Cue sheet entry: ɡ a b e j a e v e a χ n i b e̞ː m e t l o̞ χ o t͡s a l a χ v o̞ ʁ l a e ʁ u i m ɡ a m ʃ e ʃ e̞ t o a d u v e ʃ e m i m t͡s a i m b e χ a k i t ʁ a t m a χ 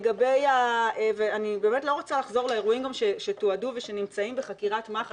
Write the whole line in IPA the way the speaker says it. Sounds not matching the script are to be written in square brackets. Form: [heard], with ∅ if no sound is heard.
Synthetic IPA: ɡ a b e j a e v e a [∅] n i b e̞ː m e t l o̞ [ʁ] o t͡s a l a χ [z] o̞ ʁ l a e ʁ u i m ɡ a m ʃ e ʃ e̞ t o a d u v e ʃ e [n] i m t͡s a i m b e χ a k i [∅] ʁ a t m a χ